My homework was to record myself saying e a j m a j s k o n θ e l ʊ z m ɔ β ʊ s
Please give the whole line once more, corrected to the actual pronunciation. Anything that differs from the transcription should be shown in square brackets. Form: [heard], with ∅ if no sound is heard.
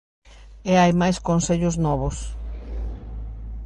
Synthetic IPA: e a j m a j s k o n [s] e [ʎ] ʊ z [n] ɔ β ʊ s